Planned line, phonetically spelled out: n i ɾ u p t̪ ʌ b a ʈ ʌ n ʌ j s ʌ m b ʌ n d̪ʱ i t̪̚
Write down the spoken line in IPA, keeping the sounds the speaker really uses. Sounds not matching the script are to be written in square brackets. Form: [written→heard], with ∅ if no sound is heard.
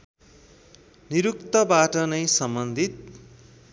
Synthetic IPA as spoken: n i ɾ u [p→k] t̪ ʌ b a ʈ ʌ n ʌ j s ʌ m b ʌ n d̪ʱ i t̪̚